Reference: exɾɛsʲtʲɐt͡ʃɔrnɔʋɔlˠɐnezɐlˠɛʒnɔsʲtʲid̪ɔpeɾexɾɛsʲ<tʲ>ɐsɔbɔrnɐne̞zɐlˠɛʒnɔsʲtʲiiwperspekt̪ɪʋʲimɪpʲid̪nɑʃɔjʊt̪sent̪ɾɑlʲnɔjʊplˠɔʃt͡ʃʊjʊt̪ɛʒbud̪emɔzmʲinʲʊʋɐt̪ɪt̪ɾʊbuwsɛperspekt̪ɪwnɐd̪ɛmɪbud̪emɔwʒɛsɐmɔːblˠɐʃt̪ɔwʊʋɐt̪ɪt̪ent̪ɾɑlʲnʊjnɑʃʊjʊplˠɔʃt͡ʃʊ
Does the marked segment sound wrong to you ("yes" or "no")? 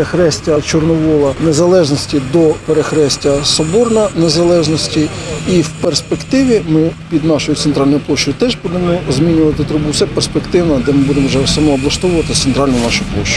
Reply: no